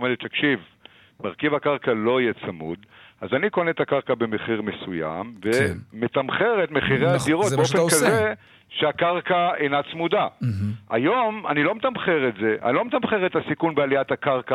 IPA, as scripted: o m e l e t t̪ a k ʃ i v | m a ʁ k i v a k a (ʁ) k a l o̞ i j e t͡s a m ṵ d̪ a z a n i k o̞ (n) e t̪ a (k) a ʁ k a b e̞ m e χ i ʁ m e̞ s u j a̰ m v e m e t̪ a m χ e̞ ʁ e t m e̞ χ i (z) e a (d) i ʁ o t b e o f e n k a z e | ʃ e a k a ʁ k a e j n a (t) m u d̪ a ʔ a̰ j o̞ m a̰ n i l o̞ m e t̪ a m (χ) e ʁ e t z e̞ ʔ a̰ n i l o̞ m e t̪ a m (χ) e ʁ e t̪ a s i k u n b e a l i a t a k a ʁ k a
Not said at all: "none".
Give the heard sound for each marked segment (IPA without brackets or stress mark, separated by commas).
ʁ, n, k, ʁ, d, t͡s, χ, χ